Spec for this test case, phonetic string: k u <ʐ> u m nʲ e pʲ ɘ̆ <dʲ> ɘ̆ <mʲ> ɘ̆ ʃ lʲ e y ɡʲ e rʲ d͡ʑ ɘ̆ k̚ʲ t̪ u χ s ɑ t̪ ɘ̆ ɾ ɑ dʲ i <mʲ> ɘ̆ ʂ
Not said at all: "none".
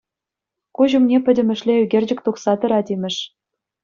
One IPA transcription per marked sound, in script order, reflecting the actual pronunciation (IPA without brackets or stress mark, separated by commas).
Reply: ʑ, dʲ, mʲ, mʲ